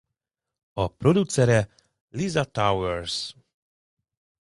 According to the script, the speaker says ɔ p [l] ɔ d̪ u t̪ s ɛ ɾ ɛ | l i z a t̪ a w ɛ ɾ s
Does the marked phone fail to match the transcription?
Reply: yes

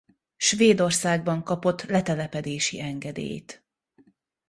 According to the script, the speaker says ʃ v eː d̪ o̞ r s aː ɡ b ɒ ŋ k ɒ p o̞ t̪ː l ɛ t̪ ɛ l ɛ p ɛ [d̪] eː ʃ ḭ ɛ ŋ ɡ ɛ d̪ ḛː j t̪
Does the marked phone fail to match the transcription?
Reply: no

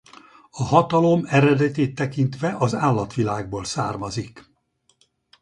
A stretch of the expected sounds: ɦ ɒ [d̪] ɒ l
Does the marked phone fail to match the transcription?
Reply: yes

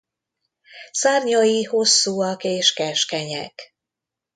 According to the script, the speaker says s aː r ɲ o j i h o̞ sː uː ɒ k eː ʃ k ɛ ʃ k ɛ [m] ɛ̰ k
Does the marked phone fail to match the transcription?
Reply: yes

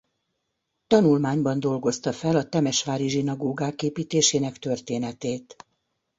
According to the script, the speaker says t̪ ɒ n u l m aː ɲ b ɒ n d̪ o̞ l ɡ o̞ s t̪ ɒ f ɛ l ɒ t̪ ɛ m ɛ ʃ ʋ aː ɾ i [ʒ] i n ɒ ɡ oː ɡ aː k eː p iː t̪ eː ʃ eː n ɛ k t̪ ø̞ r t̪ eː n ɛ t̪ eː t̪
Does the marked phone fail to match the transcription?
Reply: no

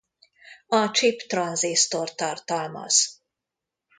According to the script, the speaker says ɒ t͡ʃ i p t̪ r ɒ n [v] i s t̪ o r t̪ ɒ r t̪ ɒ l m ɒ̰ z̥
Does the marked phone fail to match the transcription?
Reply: yes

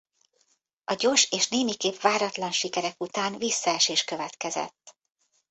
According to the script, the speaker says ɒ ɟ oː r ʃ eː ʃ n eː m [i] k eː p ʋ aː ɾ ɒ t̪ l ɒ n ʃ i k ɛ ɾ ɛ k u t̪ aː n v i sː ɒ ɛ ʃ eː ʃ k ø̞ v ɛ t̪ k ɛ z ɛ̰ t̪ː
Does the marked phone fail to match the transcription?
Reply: no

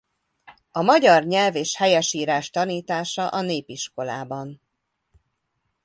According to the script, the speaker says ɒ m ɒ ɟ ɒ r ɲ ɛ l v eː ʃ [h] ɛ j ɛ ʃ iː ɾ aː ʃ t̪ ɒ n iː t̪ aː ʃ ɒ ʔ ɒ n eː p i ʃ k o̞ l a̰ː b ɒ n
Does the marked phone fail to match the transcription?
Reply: no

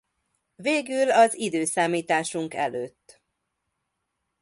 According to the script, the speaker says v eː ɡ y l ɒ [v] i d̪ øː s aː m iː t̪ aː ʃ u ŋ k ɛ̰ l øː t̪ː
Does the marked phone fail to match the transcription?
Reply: yes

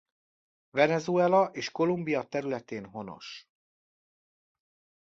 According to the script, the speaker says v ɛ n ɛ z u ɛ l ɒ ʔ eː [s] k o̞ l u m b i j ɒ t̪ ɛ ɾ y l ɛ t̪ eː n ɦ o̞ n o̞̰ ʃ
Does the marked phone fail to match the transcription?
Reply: yes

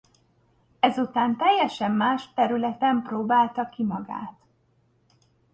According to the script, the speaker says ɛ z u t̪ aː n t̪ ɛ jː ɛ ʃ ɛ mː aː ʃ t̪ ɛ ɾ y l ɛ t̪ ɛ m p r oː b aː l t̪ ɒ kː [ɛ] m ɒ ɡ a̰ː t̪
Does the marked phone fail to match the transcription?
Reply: yes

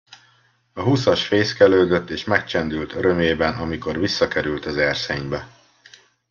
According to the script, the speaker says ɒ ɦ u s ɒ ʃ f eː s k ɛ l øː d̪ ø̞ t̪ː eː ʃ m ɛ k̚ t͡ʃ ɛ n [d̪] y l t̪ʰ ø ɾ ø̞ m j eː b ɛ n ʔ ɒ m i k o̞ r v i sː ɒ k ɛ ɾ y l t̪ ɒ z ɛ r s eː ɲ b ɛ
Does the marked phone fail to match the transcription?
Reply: no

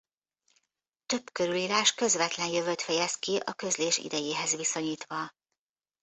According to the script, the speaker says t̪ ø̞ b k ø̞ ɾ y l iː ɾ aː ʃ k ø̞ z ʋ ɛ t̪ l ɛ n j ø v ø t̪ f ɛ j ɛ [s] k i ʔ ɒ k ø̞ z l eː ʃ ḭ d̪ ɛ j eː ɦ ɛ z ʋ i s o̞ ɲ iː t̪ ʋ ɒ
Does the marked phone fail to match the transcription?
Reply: no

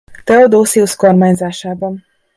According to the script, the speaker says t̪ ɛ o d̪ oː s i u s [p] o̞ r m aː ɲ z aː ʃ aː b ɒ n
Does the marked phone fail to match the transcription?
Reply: yes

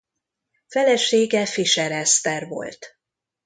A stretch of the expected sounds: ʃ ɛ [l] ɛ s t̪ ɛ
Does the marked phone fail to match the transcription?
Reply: yes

